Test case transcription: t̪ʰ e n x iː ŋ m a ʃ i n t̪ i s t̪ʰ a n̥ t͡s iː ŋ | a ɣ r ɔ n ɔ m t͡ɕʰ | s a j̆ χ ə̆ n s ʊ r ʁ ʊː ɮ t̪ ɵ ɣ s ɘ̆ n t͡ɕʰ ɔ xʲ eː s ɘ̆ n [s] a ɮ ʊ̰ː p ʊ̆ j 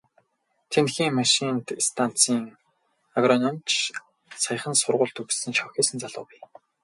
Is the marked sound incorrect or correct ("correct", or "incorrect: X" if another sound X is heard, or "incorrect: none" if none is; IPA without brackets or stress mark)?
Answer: incorrect: t͡s